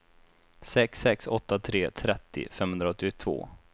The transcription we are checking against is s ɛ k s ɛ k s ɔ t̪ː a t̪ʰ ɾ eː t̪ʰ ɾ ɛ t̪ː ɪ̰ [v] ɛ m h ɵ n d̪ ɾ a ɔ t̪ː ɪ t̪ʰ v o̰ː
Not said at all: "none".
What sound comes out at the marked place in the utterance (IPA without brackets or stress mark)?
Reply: f